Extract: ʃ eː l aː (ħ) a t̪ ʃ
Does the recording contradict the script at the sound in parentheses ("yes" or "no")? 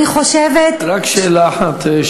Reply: no